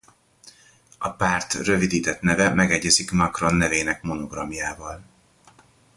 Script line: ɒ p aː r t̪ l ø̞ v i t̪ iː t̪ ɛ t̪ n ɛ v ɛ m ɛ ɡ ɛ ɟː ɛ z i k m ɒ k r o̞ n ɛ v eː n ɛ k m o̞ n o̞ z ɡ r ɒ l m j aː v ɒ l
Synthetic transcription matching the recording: ɒ p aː r t̪ r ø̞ v i d̪ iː t̪ ɛ t̪ n ɛ v ɛ m ɛ ɡ ɛ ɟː ɛ z i k m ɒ k r o̞ nː ɛ v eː n ɛ k m o̞ n o̞ ɡ r ɒ m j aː v ɒ l